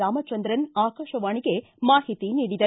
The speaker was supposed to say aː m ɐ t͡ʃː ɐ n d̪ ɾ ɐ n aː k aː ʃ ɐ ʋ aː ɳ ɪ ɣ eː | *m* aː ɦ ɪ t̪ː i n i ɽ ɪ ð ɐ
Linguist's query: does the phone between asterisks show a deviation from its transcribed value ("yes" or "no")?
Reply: no